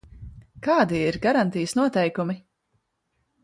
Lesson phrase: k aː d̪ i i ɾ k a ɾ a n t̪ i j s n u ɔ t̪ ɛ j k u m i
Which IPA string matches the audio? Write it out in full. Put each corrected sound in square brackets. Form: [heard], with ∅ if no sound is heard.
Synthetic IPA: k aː d̪ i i ɾ [ɡ] a ɾ a n t̪ i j s n u ɔ t̪ ɛ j k u m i